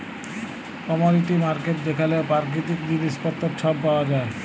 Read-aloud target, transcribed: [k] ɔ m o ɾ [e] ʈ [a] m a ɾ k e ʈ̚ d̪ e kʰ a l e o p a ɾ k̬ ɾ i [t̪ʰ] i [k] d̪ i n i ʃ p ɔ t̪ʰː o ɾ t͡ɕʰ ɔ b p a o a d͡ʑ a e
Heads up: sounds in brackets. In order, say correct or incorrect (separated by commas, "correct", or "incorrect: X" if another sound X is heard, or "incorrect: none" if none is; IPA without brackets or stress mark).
correct, incorrect: i, incorrect: i, incorrect: t̪, correct